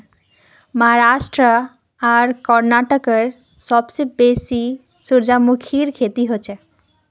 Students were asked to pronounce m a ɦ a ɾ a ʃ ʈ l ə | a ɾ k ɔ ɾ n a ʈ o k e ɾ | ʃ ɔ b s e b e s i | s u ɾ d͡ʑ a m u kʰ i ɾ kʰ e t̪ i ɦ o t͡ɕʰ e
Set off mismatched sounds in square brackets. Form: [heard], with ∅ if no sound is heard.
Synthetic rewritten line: m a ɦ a ɾ a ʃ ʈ [ɾ] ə | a ɾ k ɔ ɾ n a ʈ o k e ɾ | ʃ ɔ b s e b e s i | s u ɾ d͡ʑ a m u kʰ i ɾ kʰ e t̪ i ɦ o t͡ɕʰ e